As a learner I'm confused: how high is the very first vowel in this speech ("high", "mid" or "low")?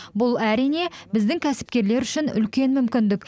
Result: high